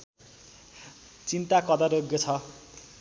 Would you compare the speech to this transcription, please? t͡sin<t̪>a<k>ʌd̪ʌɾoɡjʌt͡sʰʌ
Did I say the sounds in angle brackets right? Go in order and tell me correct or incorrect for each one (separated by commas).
correct, correct